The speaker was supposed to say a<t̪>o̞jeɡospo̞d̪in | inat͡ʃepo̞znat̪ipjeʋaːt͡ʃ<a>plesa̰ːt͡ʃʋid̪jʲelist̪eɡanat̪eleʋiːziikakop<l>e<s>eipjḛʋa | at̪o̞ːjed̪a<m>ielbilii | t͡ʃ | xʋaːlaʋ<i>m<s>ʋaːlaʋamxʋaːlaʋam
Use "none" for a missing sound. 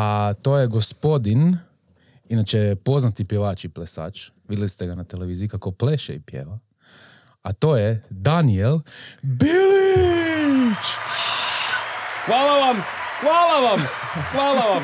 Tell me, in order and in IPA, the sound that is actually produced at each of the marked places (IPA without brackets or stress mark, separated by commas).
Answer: t̪, i, l, ʃ, n, a, x